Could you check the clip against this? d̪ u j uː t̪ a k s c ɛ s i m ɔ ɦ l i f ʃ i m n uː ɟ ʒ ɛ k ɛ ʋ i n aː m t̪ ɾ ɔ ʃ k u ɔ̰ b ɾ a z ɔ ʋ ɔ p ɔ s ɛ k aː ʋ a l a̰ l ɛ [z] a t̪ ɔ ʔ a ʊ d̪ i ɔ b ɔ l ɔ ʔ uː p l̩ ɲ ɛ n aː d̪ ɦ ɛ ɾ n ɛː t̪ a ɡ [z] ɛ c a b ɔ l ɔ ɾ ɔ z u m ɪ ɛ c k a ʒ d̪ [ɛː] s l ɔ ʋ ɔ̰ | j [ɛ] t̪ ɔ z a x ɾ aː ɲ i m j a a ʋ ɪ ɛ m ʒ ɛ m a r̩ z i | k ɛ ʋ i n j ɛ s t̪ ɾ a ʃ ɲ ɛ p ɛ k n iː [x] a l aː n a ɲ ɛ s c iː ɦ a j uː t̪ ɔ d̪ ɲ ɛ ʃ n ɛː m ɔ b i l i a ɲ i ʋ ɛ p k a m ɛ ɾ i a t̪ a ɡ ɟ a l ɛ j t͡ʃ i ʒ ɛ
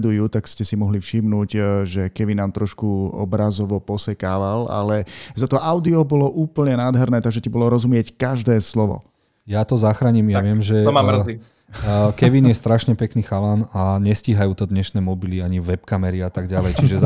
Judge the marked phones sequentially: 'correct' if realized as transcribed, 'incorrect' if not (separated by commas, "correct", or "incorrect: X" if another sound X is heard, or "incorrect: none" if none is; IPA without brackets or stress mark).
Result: correct, incorrect: ʒ, correct, incorrect: a, correct